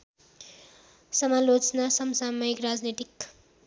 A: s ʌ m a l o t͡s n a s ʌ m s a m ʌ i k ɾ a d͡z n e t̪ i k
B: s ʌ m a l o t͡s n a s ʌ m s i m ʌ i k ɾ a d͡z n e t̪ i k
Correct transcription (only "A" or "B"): A